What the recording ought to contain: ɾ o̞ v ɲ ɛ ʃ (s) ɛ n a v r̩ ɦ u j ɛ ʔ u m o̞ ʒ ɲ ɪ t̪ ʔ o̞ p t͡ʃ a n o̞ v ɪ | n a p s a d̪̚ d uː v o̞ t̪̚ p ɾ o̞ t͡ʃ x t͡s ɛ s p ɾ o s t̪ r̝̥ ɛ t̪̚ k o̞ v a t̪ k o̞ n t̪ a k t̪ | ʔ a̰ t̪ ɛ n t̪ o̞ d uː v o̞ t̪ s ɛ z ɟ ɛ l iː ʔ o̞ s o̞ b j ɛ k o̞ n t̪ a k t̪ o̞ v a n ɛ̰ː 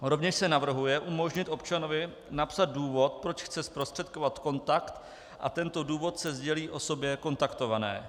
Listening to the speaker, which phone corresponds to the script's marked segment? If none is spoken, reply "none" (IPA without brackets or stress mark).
s